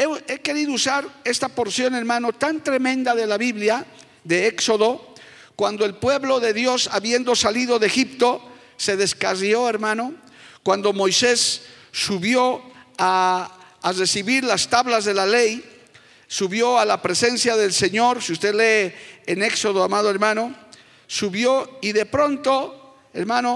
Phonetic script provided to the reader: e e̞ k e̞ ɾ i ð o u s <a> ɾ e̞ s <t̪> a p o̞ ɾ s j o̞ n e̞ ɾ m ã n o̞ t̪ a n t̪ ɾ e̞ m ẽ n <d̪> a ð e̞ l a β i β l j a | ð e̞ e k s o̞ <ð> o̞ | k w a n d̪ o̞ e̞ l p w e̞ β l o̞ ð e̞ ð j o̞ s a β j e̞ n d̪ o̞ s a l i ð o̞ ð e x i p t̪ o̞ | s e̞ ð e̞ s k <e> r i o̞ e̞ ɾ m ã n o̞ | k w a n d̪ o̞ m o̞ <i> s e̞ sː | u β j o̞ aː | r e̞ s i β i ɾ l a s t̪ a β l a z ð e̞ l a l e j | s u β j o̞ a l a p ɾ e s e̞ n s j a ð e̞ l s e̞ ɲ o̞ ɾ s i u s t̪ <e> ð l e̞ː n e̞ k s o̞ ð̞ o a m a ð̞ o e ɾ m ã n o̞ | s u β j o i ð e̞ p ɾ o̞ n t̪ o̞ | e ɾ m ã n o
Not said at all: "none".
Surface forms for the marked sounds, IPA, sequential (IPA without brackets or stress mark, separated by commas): a, t̪, d̪, ð, a, j, e